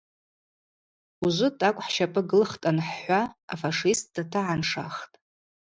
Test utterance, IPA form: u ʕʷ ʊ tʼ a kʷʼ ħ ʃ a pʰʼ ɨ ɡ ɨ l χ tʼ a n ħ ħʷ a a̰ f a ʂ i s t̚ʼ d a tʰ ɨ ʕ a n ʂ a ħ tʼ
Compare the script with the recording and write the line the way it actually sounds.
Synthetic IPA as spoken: u ʒʷ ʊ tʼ a kʷʼ ħ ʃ a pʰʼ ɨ ɡ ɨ l χ tʼ a n ħ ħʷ a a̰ f a ʂ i s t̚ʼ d a tʰ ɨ ʕ a n ʂ a χ tʼ